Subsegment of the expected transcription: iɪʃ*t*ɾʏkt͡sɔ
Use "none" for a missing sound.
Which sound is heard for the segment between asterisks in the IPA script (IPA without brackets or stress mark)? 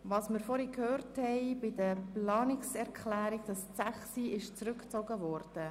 t͡s